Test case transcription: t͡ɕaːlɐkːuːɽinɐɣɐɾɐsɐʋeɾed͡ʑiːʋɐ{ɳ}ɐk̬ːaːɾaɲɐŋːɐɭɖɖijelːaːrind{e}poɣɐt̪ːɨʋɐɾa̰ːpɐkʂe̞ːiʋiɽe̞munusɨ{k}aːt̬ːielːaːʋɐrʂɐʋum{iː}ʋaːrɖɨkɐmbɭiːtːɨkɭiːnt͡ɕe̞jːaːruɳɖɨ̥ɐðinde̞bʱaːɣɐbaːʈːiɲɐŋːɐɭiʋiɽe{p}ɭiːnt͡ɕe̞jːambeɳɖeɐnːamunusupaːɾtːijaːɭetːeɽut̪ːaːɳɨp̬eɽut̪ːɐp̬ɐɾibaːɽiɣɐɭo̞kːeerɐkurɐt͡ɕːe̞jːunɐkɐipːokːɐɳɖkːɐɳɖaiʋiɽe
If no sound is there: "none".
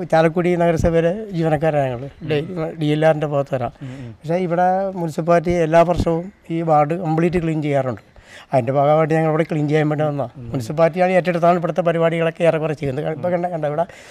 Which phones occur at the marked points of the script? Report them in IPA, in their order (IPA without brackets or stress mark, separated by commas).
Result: n, e, p, iː, k